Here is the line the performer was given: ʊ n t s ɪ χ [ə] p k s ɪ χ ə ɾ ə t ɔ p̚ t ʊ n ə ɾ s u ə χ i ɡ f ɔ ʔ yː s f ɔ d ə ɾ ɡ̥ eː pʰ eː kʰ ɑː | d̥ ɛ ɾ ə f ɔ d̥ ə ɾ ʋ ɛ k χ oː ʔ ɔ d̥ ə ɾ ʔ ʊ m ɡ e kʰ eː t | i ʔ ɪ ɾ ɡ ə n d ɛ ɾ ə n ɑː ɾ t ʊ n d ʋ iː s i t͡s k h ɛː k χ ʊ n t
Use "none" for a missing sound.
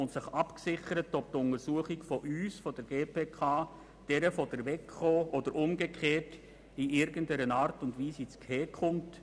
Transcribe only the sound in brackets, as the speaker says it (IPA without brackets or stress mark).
ɑ